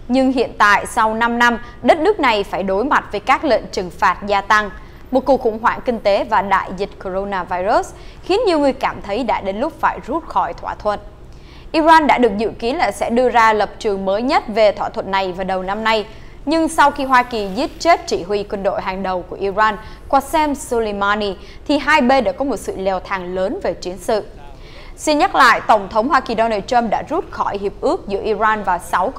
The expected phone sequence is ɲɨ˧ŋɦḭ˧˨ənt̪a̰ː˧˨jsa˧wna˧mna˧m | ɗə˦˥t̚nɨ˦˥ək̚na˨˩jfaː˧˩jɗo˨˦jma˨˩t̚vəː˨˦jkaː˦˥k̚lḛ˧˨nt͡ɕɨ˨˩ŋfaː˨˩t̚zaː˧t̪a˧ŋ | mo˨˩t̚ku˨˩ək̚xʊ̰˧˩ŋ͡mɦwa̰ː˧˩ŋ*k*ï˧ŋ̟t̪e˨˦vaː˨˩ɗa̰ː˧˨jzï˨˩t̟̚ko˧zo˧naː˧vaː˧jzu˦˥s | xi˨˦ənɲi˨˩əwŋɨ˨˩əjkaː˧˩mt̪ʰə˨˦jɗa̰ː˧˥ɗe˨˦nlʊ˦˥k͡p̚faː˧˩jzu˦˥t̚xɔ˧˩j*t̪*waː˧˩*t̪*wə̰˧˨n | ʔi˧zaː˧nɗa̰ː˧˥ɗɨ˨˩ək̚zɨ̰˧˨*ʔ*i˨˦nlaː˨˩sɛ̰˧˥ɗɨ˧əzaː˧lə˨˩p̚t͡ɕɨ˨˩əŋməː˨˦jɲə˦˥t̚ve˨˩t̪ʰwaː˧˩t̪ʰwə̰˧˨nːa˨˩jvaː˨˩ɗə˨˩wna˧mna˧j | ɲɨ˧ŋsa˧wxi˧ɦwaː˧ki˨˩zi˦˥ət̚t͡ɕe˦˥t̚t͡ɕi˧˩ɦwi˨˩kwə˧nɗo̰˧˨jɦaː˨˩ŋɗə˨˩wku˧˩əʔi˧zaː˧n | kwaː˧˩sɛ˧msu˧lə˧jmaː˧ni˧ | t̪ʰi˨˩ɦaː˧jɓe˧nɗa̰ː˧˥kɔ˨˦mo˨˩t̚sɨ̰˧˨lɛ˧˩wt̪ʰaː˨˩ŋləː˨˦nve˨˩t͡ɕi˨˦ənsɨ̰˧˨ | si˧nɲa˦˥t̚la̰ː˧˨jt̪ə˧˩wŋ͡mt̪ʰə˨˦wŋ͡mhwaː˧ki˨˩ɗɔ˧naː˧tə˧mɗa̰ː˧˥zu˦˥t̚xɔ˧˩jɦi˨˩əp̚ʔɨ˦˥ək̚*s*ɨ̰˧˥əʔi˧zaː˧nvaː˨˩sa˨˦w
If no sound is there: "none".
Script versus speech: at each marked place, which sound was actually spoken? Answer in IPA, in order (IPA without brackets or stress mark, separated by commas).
k, t̪ʰ, t̪ʰ, k, z